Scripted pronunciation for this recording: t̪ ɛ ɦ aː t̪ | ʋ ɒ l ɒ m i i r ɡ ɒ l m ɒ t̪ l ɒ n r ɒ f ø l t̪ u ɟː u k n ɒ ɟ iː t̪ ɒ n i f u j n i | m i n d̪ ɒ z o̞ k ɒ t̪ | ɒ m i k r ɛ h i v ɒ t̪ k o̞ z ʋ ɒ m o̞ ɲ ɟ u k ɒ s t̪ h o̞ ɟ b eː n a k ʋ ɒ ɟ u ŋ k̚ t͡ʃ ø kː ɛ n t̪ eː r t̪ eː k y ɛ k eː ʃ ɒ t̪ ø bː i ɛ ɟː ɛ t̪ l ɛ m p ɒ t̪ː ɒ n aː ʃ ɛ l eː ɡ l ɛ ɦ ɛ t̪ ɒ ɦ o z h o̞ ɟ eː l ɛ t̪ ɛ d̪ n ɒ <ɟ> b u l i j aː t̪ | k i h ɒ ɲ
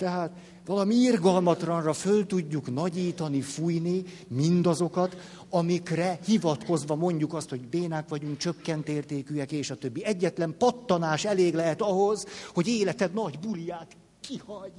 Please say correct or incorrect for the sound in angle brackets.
correct